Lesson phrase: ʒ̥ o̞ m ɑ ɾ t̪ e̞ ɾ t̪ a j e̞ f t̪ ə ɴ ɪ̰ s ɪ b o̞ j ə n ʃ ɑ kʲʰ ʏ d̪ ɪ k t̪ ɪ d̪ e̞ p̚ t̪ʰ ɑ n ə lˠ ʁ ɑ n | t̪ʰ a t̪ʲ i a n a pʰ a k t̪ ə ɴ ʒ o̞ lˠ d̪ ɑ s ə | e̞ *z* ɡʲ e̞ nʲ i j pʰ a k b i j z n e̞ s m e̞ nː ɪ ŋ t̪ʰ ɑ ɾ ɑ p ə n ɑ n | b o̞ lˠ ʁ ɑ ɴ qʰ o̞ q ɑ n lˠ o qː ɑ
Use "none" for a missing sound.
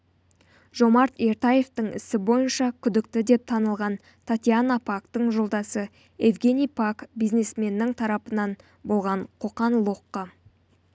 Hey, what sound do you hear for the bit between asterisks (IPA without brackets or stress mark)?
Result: v